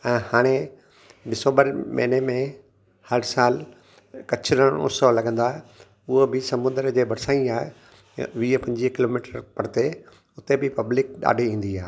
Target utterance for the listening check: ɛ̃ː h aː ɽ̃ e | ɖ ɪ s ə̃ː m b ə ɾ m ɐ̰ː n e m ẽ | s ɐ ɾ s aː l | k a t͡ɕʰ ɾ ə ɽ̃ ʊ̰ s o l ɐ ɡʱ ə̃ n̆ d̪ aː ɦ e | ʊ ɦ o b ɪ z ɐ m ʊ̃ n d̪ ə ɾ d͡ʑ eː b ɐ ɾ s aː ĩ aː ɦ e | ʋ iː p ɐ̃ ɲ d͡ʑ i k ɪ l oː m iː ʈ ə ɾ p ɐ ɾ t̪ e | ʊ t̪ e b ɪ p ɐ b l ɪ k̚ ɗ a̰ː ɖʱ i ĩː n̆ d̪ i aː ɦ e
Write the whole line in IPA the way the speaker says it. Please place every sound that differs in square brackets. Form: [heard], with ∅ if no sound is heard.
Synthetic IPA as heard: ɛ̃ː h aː ɽ̃ e | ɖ ɪ s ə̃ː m b ə ɾ m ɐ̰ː n e m ẽ | [h] ɐ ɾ s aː l | k [ɐ] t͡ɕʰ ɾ ə ɽ̃ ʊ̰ s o l ɐ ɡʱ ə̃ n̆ d̪ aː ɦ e | ʊ ɦ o b ɪ [s] ɐ m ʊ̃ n d̪ ə ɾ d͡ʑ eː b ɐ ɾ s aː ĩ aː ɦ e | ʋ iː p ɐ̃ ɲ d͡ʑ i k ɪ l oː m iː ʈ ə ɾ p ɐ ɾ t̪ e | ʊ t̪ e b ɪ p ɐ b l ɪ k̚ ɗ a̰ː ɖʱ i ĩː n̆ d̪ i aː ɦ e